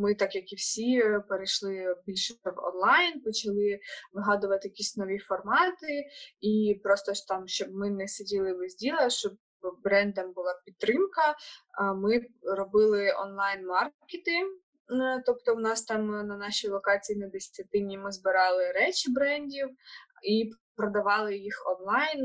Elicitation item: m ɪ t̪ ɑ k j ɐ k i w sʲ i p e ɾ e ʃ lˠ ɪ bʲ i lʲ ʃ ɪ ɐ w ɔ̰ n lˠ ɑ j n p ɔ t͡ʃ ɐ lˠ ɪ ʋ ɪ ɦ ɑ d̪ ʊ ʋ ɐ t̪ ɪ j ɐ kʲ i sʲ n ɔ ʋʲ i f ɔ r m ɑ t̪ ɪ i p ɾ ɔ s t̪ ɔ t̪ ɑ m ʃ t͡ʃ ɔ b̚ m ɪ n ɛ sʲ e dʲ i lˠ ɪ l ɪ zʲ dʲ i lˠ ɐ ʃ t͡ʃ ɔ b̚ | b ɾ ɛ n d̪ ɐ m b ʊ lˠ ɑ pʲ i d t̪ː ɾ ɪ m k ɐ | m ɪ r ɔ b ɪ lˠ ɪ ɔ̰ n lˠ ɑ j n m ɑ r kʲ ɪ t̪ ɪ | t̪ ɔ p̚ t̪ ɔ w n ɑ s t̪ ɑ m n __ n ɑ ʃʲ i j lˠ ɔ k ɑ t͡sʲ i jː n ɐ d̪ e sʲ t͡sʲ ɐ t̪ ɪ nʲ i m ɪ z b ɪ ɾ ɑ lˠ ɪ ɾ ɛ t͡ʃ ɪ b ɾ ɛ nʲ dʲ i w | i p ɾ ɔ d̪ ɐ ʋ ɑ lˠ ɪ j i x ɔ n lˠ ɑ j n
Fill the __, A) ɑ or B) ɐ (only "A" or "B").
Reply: B